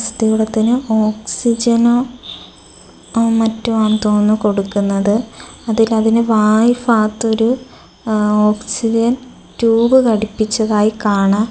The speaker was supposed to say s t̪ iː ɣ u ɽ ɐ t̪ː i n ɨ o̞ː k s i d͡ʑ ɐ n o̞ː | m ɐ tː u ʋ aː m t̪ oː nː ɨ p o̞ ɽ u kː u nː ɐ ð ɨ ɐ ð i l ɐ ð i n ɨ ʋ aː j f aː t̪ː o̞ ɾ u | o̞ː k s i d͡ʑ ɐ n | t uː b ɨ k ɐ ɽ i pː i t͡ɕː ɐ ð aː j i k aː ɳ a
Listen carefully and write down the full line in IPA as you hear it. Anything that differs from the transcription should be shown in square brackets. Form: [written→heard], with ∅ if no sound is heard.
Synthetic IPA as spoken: s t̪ [iː→i] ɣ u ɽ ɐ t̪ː i n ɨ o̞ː k s i d͡ʑ ɐ n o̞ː | m ɐ tː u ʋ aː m t̪ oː nː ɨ [p→k] o̞ ɽ u kː u nː ɐ ð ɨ ɐ ð i l ɐ ð i n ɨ ʋ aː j f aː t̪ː o̞ ɾ u | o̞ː k s i d͡ʑ ɐ n | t uː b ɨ k ɐ ɽ i pː i t͡ɕː ɐ ð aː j i k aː ɳ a